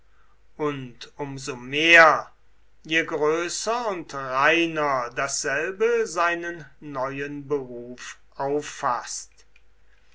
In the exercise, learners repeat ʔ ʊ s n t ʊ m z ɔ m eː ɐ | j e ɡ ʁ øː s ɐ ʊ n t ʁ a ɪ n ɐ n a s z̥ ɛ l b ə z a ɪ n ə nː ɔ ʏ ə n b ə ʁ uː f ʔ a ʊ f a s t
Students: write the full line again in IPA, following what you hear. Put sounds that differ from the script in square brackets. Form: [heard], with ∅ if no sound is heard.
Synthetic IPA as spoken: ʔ ʊ [∅] n t ʊ m z [o] m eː ɐ | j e ɡ ʁ øː s ɐ ʊ n t ʁ a ɪ n ɐ [d] a s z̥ ɛ l b ə z a ɪ n ə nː ɔ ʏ ə n b ə ʁ uː f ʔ a ʊ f a s t

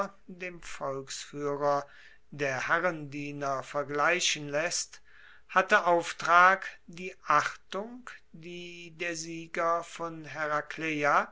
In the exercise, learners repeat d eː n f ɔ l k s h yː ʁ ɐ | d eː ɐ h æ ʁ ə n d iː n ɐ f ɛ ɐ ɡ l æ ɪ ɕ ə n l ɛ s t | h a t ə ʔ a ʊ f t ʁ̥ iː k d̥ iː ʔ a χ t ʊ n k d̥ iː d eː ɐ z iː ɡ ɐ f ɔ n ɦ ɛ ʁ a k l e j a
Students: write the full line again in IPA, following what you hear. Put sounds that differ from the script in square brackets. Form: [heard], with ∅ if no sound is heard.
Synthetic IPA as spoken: d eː [m] f ɔ l k s [f] yː ʁ ɐ | d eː ɐ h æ ʁ ə n d iː n ɐ f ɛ ɐ ɡ l [a] ɪ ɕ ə n l ɛ s t | h a t ə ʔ a ʊ f t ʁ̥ [aː] k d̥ iː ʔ a χ t ʊ [ŋ] k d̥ iː d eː ɐ z iː ɡ ɐ f ɔ n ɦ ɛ ʁ a k l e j a

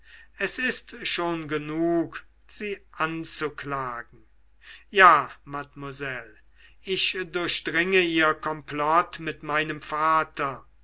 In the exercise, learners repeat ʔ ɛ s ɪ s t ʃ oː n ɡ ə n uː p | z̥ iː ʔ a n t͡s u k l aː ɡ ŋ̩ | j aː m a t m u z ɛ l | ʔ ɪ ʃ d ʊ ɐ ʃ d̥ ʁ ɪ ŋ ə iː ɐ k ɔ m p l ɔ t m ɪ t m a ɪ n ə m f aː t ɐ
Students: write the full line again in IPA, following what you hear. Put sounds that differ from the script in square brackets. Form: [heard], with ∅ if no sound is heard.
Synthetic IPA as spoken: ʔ ɛ s ɪ s t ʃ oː n ɡ ə n uː [k] | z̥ iː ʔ a n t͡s u k l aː ɡ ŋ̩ | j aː m a t m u z ɛ l | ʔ ɪ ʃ d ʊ ɐ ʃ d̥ ʁ ɪ ŋ ə iː ɐ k ɔ m p l ɔ t m ɪ t m a ɪ n ə m f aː t ɐ

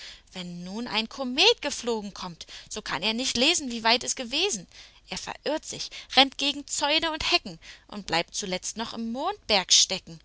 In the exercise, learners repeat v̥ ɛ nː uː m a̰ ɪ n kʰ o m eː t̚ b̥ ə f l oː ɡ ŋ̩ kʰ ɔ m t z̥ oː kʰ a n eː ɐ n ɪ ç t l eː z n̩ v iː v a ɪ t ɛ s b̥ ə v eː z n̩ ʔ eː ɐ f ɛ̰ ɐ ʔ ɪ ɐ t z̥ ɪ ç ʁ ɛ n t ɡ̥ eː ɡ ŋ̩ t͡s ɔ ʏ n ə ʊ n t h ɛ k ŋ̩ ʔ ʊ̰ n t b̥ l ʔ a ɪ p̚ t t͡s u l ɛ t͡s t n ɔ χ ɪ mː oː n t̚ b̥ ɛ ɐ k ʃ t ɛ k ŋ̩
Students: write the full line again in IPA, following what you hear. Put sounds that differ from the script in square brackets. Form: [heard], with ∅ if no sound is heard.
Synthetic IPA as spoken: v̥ ɛ nː uː [n] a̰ ɪ n kʰ o m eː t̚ [ɡ̥] ə f l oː ɡ ŋ̩ kʰ ɔ m t z̥ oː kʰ a n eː ɐ n ɪ ç t l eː z n̩ v iː v a ɪ t ɛ s [ɡ̥] ə v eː z n̩ ʔ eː ɐ f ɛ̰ ɐ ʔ ɪ ɐ t z̥ ɪ ç ʁ ɛ n t ɡ̥ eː ɡ ŋ̩ t͡s ɔ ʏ n ə ʊ n t h ɛ k ŋ̩ ʔ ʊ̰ n t b̥ l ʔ a ɪ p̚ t t͡s u l ɛ t͡s t n ɔ χ ɪ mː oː n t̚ b̥ ɛ ɐ k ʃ t ɛ k ŋ̩

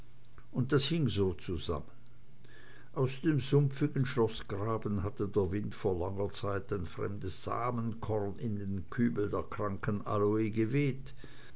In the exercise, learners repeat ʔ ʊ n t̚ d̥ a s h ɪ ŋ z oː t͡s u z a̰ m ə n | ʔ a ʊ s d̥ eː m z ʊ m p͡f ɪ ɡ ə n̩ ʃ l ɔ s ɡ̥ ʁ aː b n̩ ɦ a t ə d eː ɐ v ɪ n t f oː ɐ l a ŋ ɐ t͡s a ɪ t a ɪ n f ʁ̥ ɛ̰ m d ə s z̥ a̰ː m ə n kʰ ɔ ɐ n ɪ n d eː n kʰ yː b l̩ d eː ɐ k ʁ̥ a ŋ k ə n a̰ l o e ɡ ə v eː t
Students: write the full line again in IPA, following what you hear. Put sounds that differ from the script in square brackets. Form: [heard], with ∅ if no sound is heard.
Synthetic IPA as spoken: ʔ ʊ n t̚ d̥ a s h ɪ ŋ z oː t͡s u z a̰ m ə n | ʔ a ʊ s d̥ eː m z ʊ m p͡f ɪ ɡ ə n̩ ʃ l ɔ s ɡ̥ ʁ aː b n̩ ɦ a t ə d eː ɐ v ɪ n t f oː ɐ l a ŋ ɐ t͡s a ɪ t a ɪ n f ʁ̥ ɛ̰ m d ə s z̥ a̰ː m ə n kʰ ɔ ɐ n ɪ n d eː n kʰ yː b l̩ d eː ɐ k ʁ̥ a ŋ k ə n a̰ l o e ɡ ə v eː t

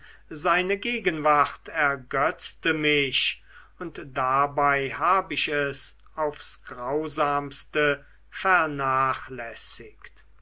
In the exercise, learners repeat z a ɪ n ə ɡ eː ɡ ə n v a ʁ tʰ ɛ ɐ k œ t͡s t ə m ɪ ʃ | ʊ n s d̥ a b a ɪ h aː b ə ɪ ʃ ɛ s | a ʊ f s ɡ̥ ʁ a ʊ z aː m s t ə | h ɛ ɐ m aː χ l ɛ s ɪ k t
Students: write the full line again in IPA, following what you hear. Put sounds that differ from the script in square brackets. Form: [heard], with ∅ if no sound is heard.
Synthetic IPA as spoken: z a ɪ n ə ɡ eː ɡ ə n v a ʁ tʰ ɛ ɐ [ɡ] œ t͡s t ə m ɪ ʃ | ʊ n [t] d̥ a b a ɪ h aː b ə ɪ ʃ ɛ s | a ʊ f s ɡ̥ ʁ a ʊ z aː m s t ə | [f] ɛ ɐ [n] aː χ l ɛ s ɪ k t

